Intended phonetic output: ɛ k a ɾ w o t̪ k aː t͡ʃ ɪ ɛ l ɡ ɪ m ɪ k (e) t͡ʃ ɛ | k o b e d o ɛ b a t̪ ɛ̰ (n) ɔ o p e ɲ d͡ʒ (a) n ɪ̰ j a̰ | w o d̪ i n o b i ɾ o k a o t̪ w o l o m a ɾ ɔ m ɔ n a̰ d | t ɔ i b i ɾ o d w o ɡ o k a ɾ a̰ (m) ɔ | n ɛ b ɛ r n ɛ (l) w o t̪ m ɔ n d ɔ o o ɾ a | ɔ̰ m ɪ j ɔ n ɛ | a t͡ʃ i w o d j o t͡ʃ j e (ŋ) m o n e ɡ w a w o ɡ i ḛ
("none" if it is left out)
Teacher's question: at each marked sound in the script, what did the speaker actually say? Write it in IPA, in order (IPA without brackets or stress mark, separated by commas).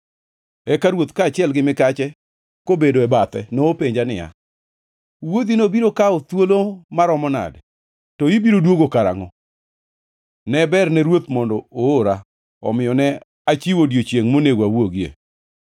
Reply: a, n, a, ŋ, ɾ, ŋ